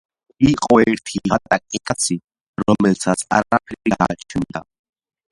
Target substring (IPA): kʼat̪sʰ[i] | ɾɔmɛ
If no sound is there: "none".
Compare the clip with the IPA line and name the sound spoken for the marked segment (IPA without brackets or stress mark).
i